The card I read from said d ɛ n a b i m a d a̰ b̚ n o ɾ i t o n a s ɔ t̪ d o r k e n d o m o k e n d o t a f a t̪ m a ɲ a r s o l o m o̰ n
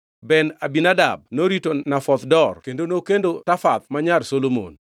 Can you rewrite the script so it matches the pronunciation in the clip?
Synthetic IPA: b ɛ n a b i n a d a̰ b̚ n o ɾ i t o n a f ɔ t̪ d ɔ r k e n d o n o k e n d o t a f a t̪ m a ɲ a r s o l o m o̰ n

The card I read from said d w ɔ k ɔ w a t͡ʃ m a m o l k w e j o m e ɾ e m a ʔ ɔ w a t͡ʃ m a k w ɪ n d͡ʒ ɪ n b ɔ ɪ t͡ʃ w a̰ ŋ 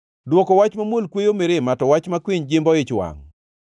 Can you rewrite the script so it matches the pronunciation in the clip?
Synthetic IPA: d w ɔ k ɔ w a t͡ʃ m a m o l k w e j o m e ɾ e m a t ɔ w a t͡ʃ m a k w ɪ ɲ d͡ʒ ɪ m b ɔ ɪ t͡ʃ w a̰ ŋ

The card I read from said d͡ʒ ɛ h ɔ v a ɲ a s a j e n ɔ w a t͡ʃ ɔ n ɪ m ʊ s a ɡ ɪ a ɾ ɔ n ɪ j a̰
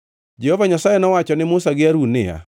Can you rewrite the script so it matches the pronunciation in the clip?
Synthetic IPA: d͡ʒ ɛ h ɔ v a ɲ a s a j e n ɔ w a t͡ʃ ɔ n ɪ m ʊ s a ɡ ɪ a ɾ u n ɪ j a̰

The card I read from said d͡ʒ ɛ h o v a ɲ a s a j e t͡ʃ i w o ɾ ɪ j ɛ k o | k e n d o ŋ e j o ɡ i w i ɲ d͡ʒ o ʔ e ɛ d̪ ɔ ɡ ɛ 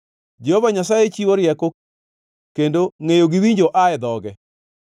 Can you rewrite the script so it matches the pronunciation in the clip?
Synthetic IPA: d͡ʒ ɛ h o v a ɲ a s a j e t͡ʃ i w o ɾ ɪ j ɛ k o | k e n d o ŋ e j o ɡ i w i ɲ d͡ʒ o ʔ a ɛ d̪ ɔ ɡ ɛ

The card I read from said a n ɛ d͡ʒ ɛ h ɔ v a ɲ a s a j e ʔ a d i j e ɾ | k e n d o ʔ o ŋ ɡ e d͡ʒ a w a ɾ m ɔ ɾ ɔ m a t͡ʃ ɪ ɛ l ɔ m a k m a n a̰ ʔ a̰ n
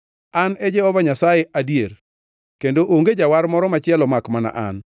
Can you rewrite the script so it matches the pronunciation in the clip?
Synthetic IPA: a n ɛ d͡ʒ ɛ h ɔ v a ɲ a s a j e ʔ a d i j e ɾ | k e n d o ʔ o ŋ ɡ e d͡ʒ a w a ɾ m ɔ ɾ ɔ m a t͡ʃ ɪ ɛ l ɔ m a k m a n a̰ ʔ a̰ n

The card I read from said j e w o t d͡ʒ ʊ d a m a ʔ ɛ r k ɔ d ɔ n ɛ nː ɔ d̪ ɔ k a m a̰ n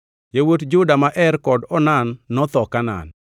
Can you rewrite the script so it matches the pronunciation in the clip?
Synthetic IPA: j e w o t d͡ʒ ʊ d a m a ʔ ɛ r k ɔ d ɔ n a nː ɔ t̪ ɔ k a n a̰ n

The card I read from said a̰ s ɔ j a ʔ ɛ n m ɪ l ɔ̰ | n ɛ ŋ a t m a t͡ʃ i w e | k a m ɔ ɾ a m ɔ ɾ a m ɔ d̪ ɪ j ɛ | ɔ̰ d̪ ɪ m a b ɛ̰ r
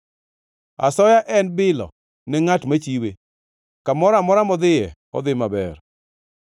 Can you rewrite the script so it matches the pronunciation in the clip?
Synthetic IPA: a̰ s ɔ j a ʔ ɛ n b ɪ l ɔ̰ | n ɛ ŋ a t m a t͡ʃ i w e | k a m ɔ ɾ a m ɔ ɾ a m ɔ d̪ ɪ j ɛ | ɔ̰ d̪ ɪ m a b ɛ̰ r

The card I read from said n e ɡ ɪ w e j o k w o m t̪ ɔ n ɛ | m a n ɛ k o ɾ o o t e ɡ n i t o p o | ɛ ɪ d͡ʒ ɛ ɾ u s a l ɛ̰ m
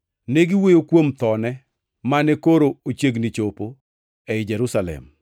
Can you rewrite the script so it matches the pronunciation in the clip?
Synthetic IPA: n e ɡ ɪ w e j o k w o m t̪ ɔ n ɛ | m a n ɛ k o ɾ o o t͡ʃ e ɡ n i t͡ʃ o p o | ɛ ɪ d͡ʒ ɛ ɾ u s a l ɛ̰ m

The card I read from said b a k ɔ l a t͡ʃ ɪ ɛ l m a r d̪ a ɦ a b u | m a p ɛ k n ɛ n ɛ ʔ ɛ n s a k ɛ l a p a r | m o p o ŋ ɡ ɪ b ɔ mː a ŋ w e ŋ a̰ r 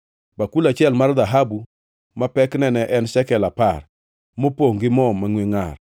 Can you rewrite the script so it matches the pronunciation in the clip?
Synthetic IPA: b a k u l a t͡ʃ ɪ ɛ l m a r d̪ a ɦ a b u | m a p ɛ k n ɛ n ɛ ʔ ɛ n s ɛ k ɛ l a p a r | m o p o ŋ ɡ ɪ m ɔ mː a ŋ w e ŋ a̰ r

